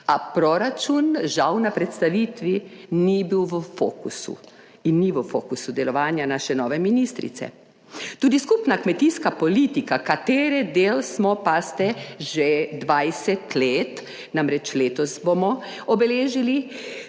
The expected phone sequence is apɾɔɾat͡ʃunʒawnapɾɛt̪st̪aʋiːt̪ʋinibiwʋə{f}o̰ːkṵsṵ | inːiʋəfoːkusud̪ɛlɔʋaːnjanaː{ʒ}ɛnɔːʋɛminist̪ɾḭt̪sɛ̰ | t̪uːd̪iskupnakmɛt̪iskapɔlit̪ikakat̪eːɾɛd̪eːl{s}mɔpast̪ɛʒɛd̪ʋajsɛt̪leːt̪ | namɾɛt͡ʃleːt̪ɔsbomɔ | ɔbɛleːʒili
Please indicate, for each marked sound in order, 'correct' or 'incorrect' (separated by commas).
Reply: correct, incorrect, correct